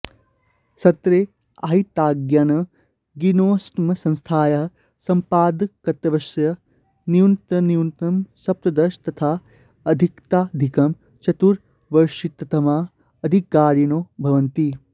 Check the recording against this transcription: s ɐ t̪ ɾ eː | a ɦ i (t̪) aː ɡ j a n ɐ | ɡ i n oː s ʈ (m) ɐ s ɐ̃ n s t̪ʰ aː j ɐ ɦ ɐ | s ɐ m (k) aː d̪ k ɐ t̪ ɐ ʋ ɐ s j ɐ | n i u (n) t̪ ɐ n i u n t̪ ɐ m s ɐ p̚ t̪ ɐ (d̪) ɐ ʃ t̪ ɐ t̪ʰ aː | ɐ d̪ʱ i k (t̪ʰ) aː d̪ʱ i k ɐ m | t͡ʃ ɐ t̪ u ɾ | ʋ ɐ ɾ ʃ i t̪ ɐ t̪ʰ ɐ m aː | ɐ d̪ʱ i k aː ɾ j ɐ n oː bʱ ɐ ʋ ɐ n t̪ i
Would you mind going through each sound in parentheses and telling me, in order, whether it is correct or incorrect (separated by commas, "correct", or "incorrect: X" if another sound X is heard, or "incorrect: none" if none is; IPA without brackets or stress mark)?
correct, correct, incorrect: p, correct, correct, incorrect: t̪